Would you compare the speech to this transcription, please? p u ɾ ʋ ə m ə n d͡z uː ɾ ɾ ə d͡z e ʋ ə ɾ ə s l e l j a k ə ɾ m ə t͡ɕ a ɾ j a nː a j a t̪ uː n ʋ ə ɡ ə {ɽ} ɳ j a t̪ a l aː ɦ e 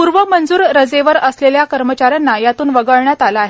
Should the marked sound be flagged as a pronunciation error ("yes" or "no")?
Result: yes